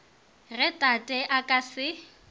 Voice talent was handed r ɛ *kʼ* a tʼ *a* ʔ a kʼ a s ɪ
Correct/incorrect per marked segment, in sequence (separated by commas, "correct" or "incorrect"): incorrect, incorrect